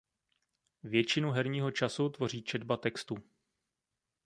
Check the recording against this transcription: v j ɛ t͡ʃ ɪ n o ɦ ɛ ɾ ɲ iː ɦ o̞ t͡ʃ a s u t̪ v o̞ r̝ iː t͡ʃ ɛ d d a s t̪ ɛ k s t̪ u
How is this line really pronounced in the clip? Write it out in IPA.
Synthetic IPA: v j ɛ t͡ʃ ɪ n u ɦ ɛ ɾ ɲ iː ɦ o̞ t͡ʃ a s u t̪ v o̞ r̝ iː t͡ʃ ɛ d b a t̪ ɛ k s t̪ u